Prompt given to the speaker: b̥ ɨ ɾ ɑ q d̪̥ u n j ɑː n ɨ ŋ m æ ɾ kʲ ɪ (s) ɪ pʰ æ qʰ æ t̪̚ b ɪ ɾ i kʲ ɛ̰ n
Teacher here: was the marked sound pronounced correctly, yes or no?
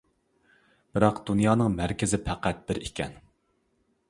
no